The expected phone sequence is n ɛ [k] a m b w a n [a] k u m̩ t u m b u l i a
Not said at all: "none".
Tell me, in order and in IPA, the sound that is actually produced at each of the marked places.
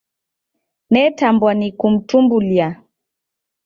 t, i

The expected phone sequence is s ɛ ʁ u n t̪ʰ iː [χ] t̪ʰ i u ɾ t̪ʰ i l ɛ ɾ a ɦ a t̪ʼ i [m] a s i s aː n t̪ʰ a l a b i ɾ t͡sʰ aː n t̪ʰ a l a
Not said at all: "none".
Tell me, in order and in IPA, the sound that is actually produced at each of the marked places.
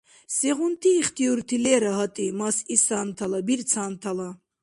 χ, m

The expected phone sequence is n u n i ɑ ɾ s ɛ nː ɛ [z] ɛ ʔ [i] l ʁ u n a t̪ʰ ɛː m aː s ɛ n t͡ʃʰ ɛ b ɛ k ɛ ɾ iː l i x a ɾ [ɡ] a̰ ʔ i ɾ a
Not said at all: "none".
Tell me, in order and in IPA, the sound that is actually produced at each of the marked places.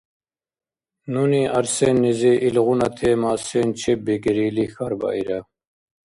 z, i, b

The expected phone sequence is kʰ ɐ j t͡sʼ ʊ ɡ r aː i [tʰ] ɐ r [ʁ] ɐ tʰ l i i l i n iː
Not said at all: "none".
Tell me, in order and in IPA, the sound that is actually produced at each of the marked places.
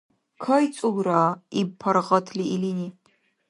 pʰ, ʁ

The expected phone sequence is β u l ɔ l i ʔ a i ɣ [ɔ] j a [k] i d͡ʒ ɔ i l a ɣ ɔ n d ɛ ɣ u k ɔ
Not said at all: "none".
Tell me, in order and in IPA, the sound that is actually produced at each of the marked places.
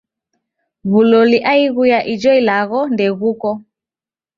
u, ʔ

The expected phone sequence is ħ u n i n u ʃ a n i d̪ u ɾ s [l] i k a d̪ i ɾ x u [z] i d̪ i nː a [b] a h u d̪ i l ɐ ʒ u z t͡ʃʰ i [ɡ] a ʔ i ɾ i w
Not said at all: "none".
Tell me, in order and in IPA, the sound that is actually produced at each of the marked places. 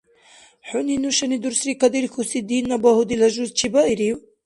ɾ, s, b, b

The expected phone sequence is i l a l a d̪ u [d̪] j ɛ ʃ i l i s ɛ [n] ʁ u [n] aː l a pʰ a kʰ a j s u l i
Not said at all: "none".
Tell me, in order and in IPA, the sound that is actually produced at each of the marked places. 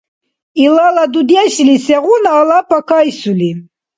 d̪, none, n

